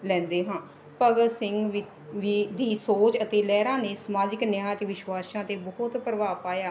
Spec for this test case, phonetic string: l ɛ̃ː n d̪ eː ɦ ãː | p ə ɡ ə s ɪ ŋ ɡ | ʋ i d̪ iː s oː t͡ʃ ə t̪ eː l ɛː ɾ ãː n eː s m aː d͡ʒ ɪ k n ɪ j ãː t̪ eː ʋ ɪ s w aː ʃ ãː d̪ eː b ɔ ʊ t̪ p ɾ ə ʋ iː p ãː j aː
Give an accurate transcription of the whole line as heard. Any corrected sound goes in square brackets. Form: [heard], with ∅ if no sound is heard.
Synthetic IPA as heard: l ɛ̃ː n d̪ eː ɦ ãː | p ə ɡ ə s ɪ ŋ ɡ | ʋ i d̪ iː s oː t͡ʃ ə t̪ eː l ɛː ɾ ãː n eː s m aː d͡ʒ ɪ k n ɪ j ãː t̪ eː ʋ ɪ [ʃ] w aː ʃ ãː [t̪] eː b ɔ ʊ t̪ p ɾ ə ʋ [aː] p [aː] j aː

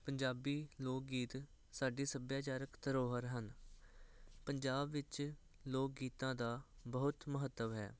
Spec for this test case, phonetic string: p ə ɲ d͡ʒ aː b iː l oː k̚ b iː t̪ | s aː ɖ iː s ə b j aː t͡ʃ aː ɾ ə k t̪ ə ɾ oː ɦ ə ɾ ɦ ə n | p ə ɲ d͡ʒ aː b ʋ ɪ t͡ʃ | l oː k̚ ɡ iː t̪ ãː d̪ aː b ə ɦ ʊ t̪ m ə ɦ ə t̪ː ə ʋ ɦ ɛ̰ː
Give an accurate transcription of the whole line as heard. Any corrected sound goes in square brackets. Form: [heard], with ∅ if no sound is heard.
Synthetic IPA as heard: p ə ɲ d͡ʒ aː b iː l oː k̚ [ɡ] iː t̪ | s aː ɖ iː s ə b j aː t͡ʃ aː ɾ ə k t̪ ə ɾ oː ɦ ə ɾ ɦ ə n | p ə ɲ d͡ʒ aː b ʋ ɪ t͡ʃ | l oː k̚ ɡ iː t̪ ãː d̪ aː b ə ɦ ʊ t̪ m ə ɦ ə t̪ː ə ʋ ɦ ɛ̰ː

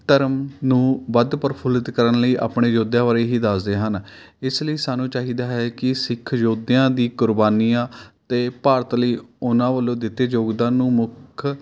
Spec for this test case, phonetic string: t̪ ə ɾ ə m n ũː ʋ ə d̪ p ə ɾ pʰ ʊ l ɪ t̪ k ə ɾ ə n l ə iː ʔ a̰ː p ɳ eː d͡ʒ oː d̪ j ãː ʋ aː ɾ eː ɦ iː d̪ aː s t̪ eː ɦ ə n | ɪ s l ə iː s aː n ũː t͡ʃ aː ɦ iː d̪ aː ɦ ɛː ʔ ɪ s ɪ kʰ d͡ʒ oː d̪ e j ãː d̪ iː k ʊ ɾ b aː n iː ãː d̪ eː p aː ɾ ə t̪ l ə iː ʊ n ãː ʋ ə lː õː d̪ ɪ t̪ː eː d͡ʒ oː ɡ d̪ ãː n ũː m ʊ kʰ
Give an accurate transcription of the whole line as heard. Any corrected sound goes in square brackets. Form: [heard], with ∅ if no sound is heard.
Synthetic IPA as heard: t̪ ə ɾ ə m n ũː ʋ ə d̪ p ə ɾ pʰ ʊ l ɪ t̪ k ə ɾ ə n l ə iː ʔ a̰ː p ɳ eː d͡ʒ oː d̪ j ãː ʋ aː ɾ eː ɦ iː d̪ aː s [d̪] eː ɦ ə n | ɪ s l ə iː s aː n ũː t͡ʃ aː ɦ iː d̪ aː ɦ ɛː [k] ɪ s ɪ kʰ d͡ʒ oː d̪ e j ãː d̪ iː k ʊ ɾ b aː n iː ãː [t̪] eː p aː ɾ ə t̪ l ə iː ʊ n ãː ʋ ə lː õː d̪ ɪ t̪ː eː d͡ʒ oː ɡ d̪ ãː n ũː m ʊ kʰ

